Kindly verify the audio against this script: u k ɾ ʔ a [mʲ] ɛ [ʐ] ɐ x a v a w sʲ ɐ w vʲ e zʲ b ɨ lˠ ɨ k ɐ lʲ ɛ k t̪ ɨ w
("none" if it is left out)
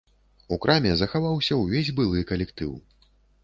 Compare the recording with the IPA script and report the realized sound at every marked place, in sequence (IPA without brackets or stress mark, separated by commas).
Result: mʲ, z